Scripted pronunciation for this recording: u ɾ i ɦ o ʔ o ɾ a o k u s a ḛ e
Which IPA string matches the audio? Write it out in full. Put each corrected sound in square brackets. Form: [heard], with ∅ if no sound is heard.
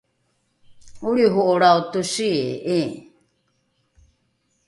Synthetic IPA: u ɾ i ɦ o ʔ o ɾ a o [t] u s [i] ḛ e